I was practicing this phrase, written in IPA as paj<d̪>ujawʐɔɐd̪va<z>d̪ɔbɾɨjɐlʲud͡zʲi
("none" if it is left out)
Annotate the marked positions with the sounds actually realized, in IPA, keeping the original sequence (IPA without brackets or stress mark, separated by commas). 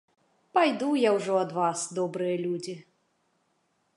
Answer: d̪, s